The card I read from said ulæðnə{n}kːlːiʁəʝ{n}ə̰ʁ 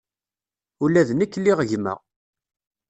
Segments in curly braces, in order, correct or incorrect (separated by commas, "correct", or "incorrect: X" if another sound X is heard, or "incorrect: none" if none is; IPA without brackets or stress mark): incorrect: none, incorrect: m